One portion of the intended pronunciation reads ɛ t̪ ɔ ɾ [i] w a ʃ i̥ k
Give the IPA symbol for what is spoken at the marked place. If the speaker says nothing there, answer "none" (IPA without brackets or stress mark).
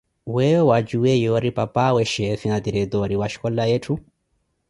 i